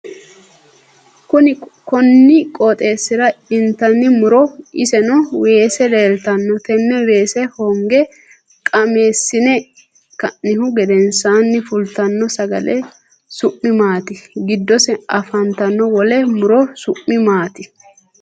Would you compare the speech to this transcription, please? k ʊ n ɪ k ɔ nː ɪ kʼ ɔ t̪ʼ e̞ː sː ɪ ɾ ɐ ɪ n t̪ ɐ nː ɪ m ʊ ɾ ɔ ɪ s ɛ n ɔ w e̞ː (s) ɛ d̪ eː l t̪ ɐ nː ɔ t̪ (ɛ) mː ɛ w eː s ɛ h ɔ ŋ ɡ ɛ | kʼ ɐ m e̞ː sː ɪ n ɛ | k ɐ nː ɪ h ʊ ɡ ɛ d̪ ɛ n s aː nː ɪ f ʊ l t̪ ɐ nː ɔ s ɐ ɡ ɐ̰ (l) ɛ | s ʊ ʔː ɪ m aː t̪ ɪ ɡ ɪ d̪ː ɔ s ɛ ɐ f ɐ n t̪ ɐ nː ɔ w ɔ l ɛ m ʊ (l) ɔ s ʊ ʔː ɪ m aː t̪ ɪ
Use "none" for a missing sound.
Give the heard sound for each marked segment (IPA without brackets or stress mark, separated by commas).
s, ɛ, l, ɾ